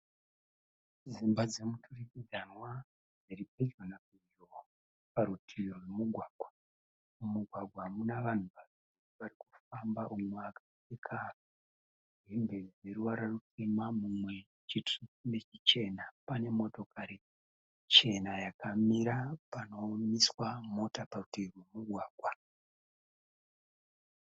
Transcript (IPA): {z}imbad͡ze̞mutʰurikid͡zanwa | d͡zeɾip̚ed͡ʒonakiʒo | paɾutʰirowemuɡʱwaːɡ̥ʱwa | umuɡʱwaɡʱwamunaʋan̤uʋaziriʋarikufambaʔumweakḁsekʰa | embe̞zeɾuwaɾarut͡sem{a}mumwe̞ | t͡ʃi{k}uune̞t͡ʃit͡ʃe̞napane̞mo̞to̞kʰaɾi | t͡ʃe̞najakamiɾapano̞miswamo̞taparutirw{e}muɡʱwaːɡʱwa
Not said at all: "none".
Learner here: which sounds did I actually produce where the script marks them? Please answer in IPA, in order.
z, a, t, e

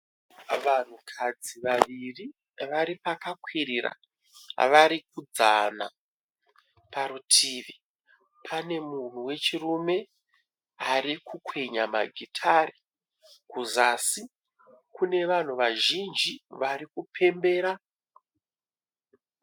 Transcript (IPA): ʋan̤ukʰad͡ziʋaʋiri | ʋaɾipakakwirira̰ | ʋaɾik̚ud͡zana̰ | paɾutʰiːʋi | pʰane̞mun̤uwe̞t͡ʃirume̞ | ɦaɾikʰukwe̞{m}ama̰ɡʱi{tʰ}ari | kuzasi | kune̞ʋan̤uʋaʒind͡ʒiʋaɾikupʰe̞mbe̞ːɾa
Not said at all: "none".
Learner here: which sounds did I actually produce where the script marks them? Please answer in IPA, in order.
ɲ, tʰ

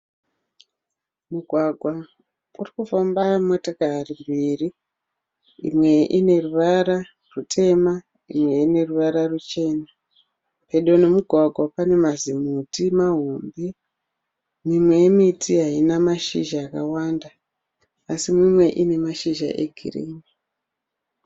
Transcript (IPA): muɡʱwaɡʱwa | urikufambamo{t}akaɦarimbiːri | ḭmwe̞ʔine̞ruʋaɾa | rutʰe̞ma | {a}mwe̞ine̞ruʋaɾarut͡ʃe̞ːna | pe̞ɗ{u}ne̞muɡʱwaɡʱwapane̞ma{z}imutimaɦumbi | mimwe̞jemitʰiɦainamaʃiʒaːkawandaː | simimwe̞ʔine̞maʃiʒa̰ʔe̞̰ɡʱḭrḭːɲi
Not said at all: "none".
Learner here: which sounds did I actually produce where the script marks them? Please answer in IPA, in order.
t, i, o, z

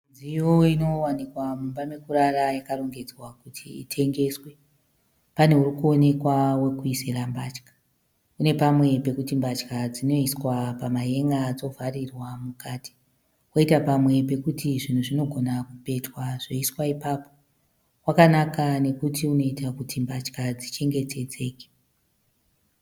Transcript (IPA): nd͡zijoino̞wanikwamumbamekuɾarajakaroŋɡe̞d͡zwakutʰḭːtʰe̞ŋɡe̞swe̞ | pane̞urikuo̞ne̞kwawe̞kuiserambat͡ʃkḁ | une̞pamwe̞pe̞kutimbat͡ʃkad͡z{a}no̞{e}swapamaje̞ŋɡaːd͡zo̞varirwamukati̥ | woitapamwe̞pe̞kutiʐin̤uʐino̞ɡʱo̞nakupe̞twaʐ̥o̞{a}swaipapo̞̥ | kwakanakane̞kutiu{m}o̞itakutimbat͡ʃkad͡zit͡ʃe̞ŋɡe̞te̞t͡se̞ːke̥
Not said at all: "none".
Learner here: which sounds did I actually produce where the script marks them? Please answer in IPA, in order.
i, i, i, n

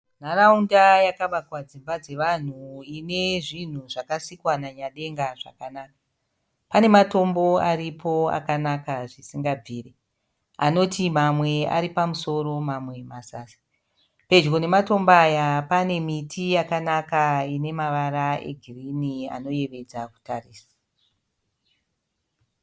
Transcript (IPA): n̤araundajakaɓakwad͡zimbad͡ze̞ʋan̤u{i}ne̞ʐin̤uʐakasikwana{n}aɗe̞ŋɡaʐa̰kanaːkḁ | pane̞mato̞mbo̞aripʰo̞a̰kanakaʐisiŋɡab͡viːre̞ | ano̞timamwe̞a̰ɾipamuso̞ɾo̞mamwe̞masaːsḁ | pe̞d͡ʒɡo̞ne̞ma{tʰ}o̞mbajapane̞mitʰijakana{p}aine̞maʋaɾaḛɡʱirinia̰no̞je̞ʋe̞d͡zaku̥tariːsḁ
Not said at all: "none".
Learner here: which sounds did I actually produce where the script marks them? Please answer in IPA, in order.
i, ɲ, t, k

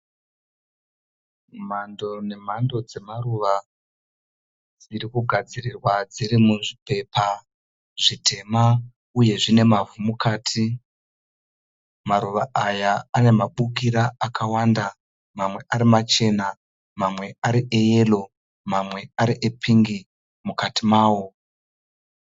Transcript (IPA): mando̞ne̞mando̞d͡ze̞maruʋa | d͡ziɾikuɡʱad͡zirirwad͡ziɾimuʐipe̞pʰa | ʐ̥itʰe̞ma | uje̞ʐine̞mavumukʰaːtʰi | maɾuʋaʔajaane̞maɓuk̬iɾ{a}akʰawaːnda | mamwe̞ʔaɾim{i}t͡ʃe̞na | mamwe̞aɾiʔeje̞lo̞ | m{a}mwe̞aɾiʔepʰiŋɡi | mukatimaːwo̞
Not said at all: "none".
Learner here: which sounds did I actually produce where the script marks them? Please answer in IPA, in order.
a, a, a

